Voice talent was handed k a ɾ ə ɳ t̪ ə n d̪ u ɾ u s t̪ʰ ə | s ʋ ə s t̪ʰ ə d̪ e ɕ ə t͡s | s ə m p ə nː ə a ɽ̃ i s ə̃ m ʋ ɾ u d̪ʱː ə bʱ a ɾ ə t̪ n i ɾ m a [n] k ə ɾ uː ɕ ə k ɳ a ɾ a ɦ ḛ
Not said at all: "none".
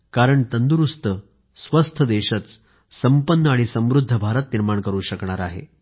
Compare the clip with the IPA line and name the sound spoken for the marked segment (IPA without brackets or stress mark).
ɳ